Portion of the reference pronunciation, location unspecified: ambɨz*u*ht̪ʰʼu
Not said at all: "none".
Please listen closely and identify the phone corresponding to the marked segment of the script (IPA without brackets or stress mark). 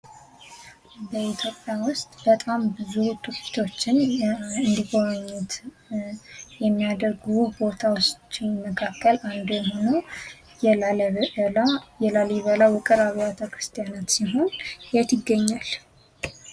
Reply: u